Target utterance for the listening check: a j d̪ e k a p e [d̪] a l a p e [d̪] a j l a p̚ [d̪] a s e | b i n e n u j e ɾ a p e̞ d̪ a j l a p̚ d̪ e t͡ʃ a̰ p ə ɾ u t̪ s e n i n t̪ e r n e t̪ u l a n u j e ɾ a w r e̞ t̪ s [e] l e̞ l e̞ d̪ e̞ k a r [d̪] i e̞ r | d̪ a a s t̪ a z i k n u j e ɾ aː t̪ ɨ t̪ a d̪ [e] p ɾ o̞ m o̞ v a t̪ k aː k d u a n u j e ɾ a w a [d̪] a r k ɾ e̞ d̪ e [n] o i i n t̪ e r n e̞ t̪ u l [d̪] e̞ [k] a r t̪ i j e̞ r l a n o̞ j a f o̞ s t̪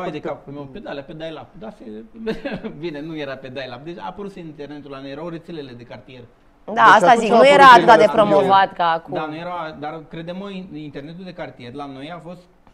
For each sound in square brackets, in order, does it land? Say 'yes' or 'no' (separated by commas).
yes, yes, yes, yes, no, yes, yes, no, yes, yes